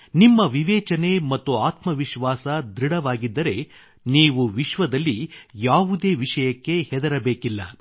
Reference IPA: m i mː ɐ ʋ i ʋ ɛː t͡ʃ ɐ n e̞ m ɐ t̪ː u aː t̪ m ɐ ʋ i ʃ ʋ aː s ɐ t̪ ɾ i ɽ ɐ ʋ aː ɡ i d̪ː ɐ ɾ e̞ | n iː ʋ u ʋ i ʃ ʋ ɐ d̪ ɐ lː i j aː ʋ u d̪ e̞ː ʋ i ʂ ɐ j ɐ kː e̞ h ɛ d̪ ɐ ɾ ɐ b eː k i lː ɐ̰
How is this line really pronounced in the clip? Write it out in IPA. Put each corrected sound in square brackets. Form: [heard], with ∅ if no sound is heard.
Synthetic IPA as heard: [n] i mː ɐ ʋ i ʋ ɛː t͡ʃ ɐ n e̞ m ɐ t̪ː u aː t̪ m ɐ ʋ i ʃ ʋ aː s ɐ [d̪] ɾ i ɽ ɐ ʋ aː ɡ i d̪ː ɐ ɾ e̞ | n iː ʋ u ʋ i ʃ ʋ ɐ d̪ ɐ lː i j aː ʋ u d̪ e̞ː ʋ i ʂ ɐ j ɐ kː e̞ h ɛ d̪ ɐ ɾ ɐ b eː k i lː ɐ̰